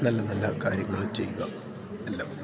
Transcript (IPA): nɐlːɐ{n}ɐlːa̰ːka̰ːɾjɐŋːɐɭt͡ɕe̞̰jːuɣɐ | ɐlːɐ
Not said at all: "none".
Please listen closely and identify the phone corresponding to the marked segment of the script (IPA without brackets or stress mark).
n